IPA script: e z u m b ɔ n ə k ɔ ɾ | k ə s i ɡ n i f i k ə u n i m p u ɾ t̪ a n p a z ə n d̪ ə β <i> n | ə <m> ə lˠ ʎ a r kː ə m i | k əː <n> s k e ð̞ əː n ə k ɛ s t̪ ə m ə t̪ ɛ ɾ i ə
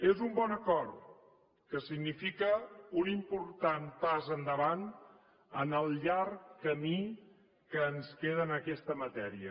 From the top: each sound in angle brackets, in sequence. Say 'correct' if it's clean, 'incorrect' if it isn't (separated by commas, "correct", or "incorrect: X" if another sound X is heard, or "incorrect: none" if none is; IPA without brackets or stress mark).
incorrect: a, incorrect: n, correct